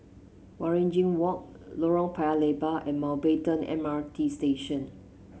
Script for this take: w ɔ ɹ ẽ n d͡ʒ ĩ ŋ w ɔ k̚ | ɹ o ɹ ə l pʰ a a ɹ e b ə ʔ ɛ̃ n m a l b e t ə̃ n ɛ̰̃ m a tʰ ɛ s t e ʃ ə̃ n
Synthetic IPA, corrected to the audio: w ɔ ɹ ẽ n d͡ʒ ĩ ŋ w ɔ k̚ | l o ɹ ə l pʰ a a l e b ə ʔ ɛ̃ n m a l b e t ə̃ n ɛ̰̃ m a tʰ i s t e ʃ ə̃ n